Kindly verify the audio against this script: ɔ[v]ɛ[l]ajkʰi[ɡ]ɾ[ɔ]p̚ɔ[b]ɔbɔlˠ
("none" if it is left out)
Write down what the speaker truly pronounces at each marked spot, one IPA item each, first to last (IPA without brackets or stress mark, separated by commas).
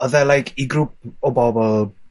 ð, l, ɡ, u, b